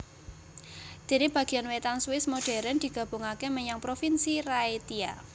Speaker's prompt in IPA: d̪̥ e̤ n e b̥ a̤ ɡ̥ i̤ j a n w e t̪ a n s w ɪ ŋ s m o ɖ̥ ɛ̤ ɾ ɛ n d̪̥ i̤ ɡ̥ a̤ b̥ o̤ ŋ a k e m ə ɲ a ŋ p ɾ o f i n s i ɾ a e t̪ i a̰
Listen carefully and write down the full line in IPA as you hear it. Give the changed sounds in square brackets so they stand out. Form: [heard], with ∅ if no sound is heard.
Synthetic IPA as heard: d̪̥ e̤ n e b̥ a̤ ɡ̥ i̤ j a n w e t̪ a n s w ɪ [∅] s m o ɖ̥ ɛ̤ ɾ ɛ n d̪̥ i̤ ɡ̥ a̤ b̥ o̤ ŋ a k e m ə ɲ a ŋ p ɾ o f i n s i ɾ a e t̪ i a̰